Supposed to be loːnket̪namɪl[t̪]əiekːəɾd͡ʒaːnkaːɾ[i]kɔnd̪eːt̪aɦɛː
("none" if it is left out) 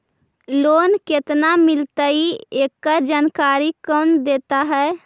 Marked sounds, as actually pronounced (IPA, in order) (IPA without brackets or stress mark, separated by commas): t̪, i